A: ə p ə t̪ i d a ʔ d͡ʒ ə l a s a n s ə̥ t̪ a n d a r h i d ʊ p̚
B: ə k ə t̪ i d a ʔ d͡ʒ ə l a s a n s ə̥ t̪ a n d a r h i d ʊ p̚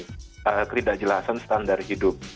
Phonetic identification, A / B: B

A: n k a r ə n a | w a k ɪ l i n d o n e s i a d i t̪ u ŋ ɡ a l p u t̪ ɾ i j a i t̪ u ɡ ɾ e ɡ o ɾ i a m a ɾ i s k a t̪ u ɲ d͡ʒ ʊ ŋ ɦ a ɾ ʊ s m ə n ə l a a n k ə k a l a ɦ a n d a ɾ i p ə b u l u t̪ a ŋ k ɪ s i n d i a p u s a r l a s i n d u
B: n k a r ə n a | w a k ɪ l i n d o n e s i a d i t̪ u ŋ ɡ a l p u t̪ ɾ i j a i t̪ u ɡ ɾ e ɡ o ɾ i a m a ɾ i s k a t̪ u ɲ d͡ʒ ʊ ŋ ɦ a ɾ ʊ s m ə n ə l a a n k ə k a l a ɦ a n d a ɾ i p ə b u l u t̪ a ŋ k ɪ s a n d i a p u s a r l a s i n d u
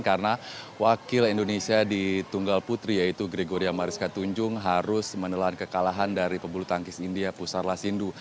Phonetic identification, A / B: A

